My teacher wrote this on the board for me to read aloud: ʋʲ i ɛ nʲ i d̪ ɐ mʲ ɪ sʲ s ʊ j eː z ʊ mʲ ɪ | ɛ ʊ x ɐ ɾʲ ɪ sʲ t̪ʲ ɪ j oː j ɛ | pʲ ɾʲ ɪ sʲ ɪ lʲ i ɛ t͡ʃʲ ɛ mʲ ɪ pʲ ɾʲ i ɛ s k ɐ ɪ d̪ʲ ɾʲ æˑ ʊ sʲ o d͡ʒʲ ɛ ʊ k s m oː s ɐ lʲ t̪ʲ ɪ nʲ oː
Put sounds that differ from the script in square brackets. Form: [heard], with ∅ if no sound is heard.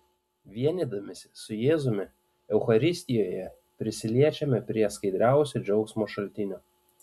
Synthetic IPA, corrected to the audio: ʋʲ i ɛ nʲ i d̪ ɐ mʲ ɪ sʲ s ʊ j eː z ʊ mʲ ɪ | ɛ ʊ x ɐ ɾʲ ɪ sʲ t̪ʲ ɪ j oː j ɛ | pʲ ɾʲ ɪ sʲ ɪ lʲ i ɛ t͡ʃʲ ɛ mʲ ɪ pʲ ɾʲ i ɛ s k ɐ ɪ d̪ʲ ɾʲ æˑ ʊ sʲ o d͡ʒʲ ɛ ʊ k s m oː [ʃ] ɐ lʲ t̪ʲ ɪ nʲ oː